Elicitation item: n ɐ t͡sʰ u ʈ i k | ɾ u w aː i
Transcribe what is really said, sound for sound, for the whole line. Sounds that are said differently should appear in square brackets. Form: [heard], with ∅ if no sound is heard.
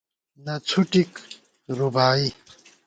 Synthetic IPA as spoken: n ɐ t͡sʰ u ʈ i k | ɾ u [b] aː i